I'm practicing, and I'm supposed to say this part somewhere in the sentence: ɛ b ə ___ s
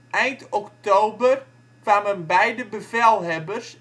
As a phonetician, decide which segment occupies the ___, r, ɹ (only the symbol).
r